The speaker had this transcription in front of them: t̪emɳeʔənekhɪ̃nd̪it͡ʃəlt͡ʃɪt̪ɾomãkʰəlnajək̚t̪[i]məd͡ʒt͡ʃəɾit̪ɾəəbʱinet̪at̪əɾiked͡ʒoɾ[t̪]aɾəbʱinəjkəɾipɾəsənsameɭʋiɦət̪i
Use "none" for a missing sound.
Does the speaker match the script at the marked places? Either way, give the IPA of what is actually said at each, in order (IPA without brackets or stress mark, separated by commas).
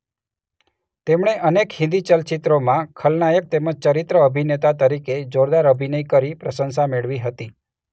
e, d̪